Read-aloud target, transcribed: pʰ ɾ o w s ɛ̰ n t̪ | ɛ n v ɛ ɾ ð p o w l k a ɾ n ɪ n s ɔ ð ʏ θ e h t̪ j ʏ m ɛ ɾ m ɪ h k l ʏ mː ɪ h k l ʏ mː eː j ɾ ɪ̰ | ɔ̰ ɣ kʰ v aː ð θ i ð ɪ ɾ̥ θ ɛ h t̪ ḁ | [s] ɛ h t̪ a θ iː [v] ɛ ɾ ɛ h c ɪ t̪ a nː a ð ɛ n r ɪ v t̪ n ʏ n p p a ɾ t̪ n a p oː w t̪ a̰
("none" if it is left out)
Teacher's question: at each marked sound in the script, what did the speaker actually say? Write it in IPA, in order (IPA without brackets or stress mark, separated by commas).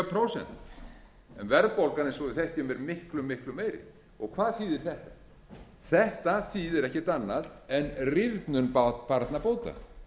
θ, ð